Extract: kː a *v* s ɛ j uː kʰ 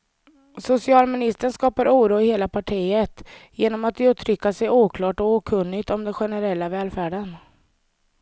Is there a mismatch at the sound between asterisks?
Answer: yes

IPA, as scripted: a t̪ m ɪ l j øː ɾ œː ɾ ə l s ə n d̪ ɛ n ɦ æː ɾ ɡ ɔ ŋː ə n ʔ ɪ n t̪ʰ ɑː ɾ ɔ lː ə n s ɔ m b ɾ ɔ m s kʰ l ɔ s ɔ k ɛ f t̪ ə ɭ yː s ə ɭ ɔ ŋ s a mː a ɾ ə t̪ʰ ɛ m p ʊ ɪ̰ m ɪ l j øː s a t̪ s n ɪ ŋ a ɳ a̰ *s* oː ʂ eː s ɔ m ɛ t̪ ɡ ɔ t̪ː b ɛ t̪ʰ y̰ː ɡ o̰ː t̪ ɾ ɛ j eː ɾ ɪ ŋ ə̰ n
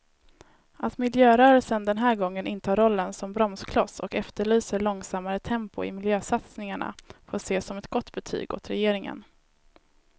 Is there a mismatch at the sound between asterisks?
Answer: yes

